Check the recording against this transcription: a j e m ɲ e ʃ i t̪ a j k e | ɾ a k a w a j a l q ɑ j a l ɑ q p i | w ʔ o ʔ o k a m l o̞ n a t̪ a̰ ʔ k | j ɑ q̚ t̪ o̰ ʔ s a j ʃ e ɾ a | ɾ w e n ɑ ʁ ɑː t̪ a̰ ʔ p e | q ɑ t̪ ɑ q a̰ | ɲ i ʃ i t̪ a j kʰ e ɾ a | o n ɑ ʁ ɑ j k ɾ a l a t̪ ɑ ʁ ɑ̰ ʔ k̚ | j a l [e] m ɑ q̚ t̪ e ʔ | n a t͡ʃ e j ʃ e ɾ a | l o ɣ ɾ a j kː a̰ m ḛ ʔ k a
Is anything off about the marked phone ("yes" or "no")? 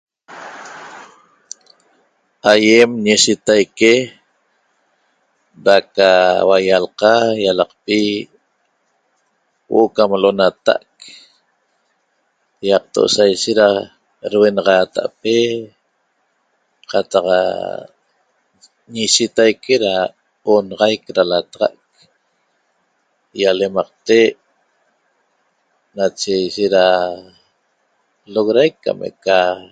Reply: no